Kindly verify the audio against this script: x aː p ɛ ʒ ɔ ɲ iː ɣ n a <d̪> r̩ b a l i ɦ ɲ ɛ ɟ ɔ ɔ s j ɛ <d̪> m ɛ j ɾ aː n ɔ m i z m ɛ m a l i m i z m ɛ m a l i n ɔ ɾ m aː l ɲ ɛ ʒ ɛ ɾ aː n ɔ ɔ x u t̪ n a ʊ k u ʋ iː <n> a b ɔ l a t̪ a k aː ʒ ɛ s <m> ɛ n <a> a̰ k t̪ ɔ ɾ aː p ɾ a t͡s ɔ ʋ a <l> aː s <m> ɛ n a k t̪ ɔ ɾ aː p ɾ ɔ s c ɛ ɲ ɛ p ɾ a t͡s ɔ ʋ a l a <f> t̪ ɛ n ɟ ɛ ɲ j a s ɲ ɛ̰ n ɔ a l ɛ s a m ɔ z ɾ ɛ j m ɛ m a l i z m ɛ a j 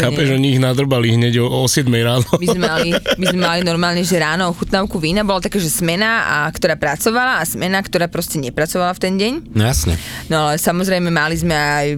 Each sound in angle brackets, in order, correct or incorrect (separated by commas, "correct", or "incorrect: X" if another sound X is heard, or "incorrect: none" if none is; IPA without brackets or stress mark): correct, correct, correct, correct, correct, correct, correct, correct